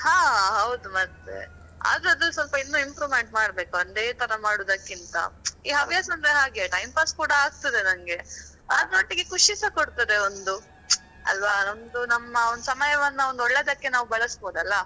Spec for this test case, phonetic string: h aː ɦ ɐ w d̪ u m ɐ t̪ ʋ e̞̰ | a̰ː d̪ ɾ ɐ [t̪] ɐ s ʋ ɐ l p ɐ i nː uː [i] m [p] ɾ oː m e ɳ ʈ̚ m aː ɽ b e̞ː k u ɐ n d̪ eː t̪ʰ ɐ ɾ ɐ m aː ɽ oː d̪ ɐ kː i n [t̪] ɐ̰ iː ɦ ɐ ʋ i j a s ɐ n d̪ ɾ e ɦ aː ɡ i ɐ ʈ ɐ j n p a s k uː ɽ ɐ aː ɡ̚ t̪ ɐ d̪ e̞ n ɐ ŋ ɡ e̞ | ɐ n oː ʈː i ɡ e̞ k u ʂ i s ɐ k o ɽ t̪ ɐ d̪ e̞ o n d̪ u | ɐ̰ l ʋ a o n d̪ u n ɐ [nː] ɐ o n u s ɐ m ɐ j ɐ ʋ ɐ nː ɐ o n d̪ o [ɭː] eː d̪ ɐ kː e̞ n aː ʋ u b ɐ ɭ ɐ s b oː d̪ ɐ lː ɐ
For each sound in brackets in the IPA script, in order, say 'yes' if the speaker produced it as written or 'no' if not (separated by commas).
no, yes, yes, yes, no, yes